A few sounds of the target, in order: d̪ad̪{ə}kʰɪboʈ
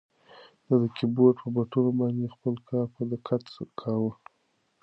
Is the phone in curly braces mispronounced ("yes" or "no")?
no